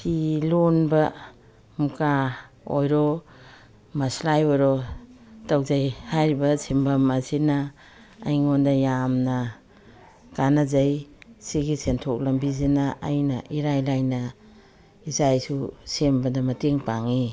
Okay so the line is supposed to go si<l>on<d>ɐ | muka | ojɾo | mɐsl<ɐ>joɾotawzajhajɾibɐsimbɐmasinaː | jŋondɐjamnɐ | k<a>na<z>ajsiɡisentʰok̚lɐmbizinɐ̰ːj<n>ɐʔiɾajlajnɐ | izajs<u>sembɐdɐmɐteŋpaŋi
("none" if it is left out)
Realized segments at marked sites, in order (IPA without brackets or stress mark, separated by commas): l, b, a, a, z, n, u